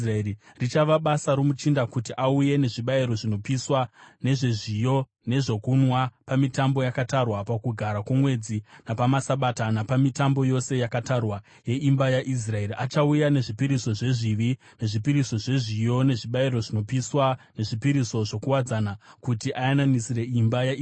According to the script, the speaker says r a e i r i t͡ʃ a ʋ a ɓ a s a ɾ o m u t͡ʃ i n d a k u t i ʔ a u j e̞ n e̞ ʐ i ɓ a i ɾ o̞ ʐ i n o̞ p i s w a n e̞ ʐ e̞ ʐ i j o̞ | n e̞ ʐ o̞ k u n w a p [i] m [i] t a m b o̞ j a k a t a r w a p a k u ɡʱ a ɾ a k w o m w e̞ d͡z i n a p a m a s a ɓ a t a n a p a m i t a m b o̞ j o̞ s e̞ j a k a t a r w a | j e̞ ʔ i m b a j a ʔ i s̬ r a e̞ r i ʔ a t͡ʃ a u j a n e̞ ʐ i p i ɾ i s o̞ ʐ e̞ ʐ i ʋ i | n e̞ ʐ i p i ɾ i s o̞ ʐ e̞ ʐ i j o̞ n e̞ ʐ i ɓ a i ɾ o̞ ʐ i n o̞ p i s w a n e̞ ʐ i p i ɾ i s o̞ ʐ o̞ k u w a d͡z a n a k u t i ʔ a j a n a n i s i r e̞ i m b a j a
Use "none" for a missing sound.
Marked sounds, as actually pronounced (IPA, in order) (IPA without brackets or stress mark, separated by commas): a, i